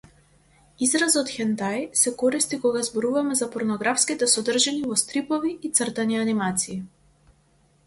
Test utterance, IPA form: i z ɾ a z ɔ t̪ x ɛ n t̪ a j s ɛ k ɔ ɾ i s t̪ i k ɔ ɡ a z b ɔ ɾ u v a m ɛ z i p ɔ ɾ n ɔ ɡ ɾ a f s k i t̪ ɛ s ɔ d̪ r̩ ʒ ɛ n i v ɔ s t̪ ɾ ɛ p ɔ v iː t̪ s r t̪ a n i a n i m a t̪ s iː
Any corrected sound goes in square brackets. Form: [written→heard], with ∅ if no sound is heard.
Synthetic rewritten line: i z ɾ a z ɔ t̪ x ɛ n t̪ a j s ɛ k ɔ ɾ i s t̪ i k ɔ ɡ a z b ɔ ɾ u v a m ɛ z [i→a] p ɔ ɾ n ɔ ɡ ɾ a f s k i t̪ ɛ s ɔ d̪ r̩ ʒ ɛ n i v ɔ s t̪ ɾ [ɛ→i] p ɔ v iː t̪ s r t̪ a n i a n i m a t̪ s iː